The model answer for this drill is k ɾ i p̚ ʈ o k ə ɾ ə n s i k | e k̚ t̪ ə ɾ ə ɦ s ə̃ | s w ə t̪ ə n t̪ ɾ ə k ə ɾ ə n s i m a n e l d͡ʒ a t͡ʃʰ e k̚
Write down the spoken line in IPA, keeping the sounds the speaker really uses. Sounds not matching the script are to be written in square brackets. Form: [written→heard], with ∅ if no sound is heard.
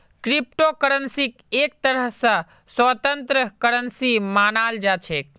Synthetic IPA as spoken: k ɾ i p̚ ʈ o k ə ɾ ə n s i k | e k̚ t̪ ə ɾ ə ɦ s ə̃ | s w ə t̪ ə n t̪ ɾ ə k ə ɾ ə n s i m a n [e→a] l d͡ʒ a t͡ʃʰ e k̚